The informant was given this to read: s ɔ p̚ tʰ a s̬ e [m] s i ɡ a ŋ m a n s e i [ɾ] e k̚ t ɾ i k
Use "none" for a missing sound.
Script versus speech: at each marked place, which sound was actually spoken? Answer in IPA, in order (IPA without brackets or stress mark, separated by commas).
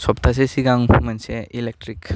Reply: none, l